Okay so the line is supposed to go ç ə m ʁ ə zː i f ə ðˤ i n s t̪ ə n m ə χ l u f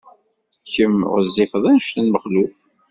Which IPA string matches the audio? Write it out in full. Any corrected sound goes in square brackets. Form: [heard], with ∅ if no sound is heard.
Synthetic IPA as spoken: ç ə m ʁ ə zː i f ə ðˤ [æ] n [ʃ] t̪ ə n m ə χ l u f